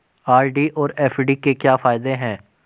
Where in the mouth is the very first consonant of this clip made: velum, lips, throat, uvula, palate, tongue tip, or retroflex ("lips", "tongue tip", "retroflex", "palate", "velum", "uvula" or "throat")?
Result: tongue tip